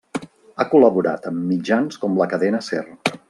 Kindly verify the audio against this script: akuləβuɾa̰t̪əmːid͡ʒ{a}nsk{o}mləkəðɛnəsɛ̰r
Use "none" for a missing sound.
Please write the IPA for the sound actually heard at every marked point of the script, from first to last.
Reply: a, ɔ

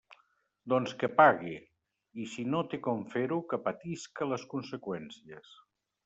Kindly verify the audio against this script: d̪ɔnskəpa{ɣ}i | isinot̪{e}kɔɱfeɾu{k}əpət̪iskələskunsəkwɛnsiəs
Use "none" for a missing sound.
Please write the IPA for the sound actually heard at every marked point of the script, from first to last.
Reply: ɣ, e, k

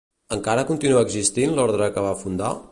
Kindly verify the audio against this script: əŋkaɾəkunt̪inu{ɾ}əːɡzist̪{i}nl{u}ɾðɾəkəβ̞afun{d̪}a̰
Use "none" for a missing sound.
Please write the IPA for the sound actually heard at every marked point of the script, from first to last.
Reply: none, i, ɔ, d̪

